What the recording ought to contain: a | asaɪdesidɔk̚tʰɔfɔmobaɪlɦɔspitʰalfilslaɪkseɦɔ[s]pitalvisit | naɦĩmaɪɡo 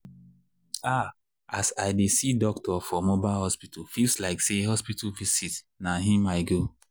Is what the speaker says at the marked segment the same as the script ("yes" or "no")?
yes